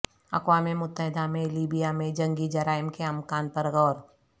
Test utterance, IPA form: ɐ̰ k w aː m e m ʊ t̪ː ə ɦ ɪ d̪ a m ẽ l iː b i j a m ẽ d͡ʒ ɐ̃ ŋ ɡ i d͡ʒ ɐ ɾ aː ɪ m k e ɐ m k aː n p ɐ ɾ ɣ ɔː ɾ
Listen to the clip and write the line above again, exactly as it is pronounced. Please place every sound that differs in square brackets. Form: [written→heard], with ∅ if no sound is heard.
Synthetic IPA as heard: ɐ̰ k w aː m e m ʊ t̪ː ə ɦ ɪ d̪ a m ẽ l iː b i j a m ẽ d͡ʒ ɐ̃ ŋ ɡ i d͡ʒ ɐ ɾ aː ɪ m k e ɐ m k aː n p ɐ ɾ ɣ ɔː ɾ